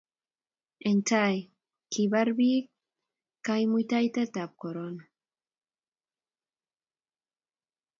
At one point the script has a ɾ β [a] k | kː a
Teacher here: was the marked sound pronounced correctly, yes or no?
no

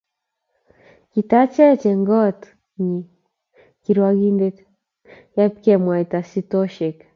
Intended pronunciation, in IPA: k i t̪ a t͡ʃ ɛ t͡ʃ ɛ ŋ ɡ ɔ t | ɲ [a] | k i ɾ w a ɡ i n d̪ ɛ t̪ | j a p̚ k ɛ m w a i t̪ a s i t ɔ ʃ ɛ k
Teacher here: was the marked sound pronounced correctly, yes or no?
no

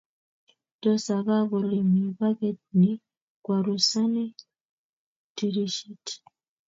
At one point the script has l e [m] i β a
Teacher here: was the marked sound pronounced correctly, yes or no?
yes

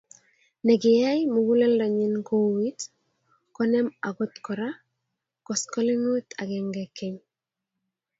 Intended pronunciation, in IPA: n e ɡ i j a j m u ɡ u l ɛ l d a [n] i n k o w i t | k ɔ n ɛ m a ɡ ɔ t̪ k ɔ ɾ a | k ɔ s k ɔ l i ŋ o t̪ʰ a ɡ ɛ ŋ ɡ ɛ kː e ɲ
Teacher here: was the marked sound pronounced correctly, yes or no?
no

